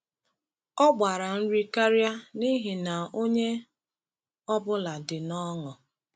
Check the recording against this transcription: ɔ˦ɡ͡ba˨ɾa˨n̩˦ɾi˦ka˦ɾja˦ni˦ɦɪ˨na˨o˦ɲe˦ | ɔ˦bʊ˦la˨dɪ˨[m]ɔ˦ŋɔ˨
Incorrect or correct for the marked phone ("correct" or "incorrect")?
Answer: incorrect